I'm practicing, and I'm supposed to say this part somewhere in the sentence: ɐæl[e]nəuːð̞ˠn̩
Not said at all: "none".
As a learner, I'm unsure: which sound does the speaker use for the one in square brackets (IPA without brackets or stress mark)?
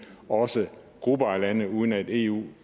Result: æ